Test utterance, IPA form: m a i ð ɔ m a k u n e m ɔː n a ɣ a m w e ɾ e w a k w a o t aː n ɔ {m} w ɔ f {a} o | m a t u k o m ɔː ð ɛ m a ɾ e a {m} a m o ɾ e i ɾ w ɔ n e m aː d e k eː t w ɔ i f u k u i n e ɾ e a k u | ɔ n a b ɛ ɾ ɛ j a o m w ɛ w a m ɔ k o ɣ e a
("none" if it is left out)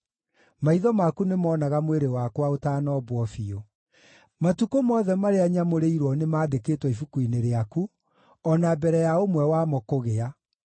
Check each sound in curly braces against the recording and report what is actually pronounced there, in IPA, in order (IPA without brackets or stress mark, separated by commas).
b, i, ɲ